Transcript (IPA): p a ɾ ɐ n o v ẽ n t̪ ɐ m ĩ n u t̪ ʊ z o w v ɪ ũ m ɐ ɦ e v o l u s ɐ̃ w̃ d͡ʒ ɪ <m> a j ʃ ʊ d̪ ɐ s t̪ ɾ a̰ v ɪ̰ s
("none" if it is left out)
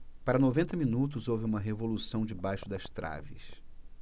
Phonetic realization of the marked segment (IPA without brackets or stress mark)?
b